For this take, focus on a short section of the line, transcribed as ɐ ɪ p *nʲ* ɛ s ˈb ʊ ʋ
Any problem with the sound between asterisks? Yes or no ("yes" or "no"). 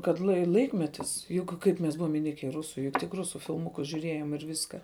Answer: yes